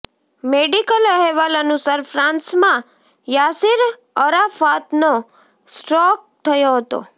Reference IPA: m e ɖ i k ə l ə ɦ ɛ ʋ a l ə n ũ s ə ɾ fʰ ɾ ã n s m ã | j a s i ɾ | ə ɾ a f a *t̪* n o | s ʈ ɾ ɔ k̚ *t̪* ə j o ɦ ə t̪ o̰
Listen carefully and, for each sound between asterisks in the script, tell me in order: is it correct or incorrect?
correct, incorrect: t̪ʰ

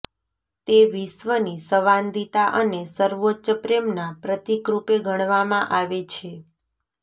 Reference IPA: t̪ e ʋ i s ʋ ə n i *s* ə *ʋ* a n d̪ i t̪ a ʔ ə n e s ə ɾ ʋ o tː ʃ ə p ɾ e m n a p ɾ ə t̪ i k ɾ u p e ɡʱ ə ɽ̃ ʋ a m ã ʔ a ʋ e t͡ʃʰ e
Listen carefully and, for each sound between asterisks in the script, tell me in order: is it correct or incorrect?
correct, correct

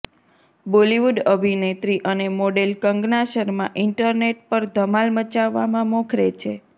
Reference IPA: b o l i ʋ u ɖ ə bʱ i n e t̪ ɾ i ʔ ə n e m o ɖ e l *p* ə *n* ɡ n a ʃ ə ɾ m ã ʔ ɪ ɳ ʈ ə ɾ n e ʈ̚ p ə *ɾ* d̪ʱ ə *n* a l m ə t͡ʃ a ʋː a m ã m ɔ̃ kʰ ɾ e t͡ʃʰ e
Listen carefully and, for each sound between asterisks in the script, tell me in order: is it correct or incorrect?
incorrect: k, incorrect: ŋ, correct, incorrect: m

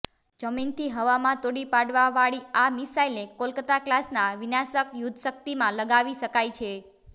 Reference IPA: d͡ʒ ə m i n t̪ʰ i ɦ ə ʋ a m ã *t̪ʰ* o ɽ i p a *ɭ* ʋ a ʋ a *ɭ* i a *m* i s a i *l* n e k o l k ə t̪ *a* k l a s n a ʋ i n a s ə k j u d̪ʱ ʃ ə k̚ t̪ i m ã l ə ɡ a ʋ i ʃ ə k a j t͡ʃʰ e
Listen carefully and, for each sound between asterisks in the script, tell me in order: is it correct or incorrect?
incorrect: t̪, incorrect: ɽ, correct, correct, correct, correct

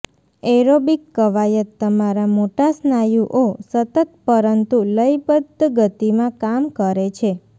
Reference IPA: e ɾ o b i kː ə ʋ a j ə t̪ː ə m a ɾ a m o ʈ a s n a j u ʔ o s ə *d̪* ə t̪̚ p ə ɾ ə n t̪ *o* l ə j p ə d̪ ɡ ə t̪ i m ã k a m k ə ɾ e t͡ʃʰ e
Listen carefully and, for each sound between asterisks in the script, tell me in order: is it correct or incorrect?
incorrect: t̪, incorrect: u

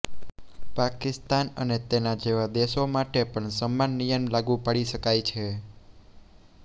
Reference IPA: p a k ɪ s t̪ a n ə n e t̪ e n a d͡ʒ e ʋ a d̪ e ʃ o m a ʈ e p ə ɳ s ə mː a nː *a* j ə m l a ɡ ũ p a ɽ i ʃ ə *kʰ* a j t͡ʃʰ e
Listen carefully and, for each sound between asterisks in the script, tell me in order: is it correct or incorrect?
incorrect: i, incorrect: k

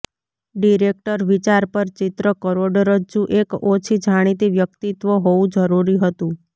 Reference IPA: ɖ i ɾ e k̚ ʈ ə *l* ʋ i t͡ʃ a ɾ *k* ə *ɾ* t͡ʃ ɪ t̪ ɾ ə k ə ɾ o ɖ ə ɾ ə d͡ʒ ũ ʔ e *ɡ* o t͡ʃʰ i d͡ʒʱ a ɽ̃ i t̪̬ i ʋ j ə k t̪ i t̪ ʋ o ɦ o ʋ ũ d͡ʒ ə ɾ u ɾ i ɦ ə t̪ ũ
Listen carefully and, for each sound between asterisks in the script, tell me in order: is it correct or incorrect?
incorrect: ɾ, incorrect: p, correct, incorrect: k

